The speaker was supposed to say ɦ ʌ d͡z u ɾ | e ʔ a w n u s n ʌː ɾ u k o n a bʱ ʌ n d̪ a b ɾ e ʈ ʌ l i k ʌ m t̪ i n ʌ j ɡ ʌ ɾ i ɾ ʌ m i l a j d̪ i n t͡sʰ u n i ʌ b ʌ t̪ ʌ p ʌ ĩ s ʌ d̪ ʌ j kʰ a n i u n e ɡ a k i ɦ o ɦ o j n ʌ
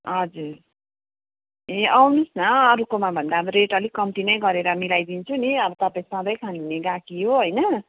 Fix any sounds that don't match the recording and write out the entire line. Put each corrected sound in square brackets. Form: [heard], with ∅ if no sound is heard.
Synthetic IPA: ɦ ʌ d͡z u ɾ | e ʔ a w n u s n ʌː ɾ u k o [m] a bʱ ʌ n d̪ a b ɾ e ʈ ʌ l i k ʌ m t̪ i n ʌ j ɡ ʌ ɾ [e] ɾ ʌ m i l a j d̪ i n t͡sʰ u n i ʌ b ʌ t̪ ʌ p [a] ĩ s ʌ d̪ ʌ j kʰ a n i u n e ɡ a k i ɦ o ɦ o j n ʌ